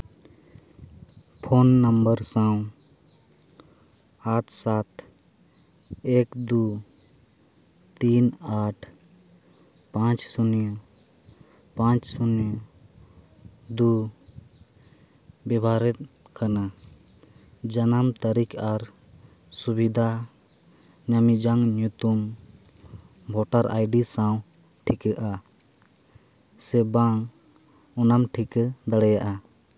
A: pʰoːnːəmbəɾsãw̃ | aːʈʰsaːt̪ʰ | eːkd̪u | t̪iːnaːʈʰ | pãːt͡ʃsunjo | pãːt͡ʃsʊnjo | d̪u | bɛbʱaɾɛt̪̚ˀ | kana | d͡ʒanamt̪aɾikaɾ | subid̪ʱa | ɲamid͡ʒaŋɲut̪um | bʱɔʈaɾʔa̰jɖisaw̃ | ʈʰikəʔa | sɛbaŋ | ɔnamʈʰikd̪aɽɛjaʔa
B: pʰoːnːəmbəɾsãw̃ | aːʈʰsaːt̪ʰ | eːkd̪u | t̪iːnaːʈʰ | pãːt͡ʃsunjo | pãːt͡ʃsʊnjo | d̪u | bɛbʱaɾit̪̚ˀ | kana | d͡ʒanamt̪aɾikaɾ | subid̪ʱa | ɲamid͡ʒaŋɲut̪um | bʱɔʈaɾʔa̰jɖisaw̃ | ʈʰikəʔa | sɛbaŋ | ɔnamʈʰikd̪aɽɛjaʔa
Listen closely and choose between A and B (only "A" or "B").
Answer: A